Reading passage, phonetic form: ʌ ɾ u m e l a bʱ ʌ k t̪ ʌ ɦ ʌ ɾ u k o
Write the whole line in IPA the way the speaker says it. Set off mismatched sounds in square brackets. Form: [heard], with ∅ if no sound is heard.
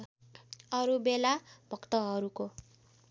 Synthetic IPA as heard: ʌ ɾ u [b] e l a bʱ ʌ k t̪ ʌ ɦ ʌ ɾ u k o